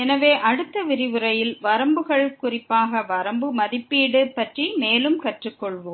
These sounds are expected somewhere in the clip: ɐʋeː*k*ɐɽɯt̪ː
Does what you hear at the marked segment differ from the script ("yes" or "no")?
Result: yes